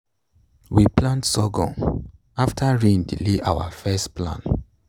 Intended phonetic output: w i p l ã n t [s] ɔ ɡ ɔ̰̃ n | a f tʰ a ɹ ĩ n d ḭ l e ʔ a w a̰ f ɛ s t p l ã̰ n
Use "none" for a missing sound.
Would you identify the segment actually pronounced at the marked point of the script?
s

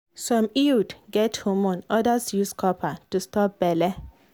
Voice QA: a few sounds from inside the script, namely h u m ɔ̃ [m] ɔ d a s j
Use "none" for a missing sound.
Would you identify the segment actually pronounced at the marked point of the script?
n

